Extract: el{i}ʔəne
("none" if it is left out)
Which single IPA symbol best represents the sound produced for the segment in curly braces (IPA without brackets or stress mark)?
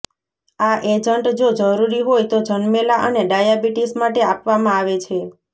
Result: a